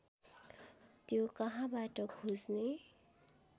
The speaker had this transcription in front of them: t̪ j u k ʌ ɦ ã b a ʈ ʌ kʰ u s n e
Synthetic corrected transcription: t̪ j o k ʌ ɦ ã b a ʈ ʌ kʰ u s n e